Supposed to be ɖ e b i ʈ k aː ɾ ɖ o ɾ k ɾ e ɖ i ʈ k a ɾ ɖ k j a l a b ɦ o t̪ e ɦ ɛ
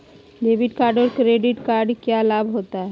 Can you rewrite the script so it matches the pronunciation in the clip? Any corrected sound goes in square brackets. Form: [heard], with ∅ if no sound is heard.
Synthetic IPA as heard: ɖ e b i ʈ k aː ɾ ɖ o ɾ k ɾ e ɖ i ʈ k a ɾ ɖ k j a l a b ɦ o t̪ [a] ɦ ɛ